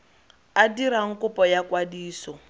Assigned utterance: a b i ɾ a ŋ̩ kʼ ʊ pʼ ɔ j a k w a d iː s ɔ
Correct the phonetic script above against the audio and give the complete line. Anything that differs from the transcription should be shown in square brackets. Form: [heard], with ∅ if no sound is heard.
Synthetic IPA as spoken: a [d] i ɾ a ŋ̩ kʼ ʊ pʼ ɔ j a k w a d iː s ɔ